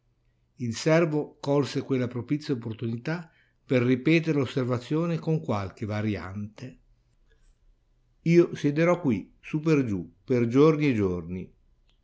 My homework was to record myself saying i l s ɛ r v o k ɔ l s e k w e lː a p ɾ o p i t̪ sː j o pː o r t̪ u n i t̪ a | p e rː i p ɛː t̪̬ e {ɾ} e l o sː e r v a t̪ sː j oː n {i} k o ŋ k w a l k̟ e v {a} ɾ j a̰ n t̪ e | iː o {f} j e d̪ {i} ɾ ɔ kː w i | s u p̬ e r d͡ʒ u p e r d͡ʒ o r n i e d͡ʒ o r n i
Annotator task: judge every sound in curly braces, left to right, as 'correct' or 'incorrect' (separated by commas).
correct, incorrect, correct, incorrect, incorrect